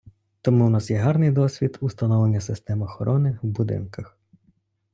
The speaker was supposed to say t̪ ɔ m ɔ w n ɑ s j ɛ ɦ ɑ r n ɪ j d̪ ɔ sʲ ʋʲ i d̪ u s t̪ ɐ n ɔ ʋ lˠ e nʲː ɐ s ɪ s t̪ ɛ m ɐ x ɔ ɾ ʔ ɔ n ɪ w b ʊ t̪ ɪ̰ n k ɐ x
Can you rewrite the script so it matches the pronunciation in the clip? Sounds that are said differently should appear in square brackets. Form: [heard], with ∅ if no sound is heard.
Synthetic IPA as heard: t̪ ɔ m [u] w n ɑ s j ɛ ɦ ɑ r n ɪ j d̪ ɔ sʲ ʋʲ i d̪ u s t̪ ɐ n ɔ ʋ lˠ e nʲː ɐ s ɪ s t̪ ɛ m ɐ x ɔ ɾ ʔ ɔ n ɪ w b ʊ [d̪] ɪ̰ n k ɐ x